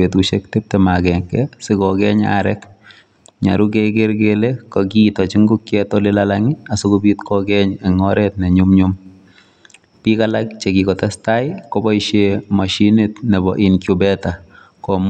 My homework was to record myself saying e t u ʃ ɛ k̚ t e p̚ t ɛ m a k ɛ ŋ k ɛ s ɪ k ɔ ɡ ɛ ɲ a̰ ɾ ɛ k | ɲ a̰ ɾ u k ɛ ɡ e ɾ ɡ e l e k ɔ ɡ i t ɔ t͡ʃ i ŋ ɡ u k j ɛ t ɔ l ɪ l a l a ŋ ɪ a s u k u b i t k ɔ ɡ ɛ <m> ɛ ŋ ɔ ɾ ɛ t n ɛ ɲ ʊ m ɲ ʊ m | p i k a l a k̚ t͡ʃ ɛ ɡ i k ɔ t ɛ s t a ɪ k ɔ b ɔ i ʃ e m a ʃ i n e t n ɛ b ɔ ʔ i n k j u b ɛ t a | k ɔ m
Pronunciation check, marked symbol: incorrect: ɲ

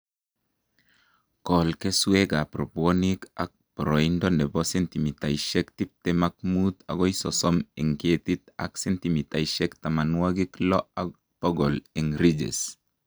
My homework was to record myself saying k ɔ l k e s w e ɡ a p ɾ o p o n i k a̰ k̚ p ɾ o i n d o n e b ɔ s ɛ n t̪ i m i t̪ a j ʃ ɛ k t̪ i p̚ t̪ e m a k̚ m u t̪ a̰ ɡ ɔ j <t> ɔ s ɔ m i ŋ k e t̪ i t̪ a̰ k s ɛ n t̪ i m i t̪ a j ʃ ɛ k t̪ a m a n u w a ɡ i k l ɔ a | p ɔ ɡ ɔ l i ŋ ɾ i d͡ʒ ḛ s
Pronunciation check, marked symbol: incorrect: s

